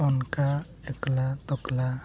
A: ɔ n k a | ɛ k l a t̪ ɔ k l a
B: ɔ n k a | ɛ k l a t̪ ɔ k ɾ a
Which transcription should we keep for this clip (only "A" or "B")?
A